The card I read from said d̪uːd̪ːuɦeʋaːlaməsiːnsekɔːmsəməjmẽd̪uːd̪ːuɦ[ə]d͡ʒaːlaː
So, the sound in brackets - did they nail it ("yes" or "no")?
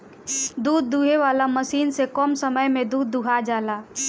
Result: no